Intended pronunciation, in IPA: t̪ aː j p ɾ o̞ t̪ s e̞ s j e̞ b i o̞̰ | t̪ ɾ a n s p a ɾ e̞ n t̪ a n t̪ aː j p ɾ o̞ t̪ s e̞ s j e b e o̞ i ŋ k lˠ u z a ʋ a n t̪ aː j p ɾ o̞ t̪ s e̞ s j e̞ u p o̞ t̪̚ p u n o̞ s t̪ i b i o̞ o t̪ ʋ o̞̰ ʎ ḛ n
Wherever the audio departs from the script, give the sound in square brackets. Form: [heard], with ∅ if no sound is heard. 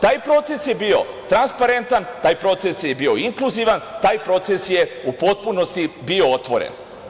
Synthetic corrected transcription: t̪ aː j p ɾ o̞ t̪ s e̞ s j e̞ b i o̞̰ | t̪ ɾ a n s p a ɾ e̞ n t̪ a n t̪ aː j p ɾ o̞ t̪ s e̞ s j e b [i] o̞ i ŋ k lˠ u z [i] ʋ a n t̪ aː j p ɾ o̞ t̪ s e̞ s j e̞ u p o̞ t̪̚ p u n o̞ s t̪ i b i o̞ o t̪ ʋ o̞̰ [ɾ] ḛ n